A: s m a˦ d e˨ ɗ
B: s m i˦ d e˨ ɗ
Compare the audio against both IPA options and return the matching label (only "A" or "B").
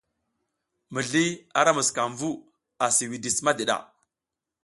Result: A